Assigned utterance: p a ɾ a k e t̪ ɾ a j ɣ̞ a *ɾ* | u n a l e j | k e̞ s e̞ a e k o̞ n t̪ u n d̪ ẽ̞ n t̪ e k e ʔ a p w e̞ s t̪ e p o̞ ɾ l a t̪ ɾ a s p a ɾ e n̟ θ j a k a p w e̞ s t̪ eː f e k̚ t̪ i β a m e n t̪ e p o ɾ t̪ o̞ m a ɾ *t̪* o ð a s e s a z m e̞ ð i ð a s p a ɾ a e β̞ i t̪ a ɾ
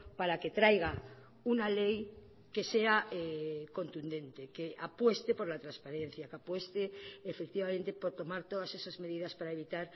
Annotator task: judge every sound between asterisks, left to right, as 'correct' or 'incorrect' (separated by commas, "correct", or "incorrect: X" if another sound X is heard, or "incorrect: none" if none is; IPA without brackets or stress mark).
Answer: incorrect: none, correct